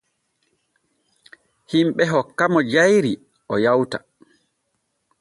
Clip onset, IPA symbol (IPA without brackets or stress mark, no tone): h